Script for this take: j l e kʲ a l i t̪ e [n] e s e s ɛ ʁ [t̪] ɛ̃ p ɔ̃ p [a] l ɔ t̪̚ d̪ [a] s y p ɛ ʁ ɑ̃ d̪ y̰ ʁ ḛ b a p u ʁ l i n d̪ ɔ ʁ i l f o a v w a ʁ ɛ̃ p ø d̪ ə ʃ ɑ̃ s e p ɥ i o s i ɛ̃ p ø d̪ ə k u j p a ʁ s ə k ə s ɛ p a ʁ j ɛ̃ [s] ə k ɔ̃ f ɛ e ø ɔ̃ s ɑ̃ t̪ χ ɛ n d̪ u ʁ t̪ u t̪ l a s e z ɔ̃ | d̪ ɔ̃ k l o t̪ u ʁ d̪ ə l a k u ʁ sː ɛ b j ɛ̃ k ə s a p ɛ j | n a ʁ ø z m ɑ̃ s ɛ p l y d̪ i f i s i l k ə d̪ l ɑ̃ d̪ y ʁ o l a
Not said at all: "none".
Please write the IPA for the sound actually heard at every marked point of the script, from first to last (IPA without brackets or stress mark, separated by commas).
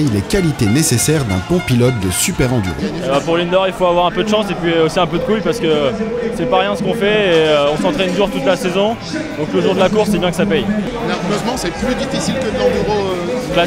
n, d̪, i, ə, s